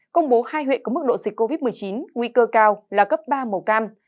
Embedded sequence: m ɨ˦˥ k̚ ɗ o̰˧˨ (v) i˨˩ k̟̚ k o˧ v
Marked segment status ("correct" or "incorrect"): incorrect